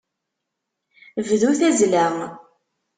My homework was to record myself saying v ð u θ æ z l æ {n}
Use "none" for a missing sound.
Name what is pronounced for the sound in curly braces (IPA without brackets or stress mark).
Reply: m